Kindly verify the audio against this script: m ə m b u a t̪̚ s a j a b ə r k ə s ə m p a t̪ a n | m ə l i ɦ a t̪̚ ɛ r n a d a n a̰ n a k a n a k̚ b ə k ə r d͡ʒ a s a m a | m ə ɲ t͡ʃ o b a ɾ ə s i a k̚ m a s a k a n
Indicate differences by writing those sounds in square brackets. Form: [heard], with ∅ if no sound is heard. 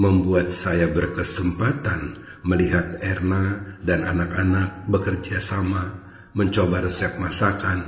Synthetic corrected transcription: m ə m b u a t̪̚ s a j a b ə r k ə s ə m p a t̪ a n | m ə l i ɦ a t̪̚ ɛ r n a d a n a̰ n a k a n a k̚ b ə k ə r d͡ʒ a s a m a | m ə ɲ t͡ʃ o b a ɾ ə s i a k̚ m a s a k a n